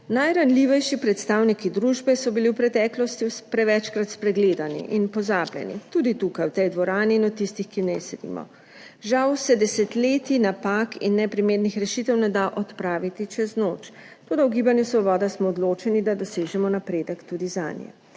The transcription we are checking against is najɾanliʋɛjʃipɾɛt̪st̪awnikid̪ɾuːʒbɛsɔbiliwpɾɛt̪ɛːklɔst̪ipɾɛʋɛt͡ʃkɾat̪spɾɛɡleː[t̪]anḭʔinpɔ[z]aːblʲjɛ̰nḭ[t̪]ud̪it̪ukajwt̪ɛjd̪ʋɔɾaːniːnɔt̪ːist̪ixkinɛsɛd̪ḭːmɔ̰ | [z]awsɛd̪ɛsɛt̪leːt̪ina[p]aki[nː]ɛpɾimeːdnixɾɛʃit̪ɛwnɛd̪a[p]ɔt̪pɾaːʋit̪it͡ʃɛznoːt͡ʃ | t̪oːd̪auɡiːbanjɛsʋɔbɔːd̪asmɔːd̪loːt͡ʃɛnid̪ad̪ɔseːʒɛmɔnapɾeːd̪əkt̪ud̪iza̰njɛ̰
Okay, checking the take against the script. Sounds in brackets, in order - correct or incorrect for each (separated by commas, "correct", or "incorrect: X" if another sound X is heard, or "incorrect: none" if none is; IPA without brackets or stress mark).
incorrect: d̪, correct, correct, incorrect: ʒ, correct, correct, incorrect: ʔ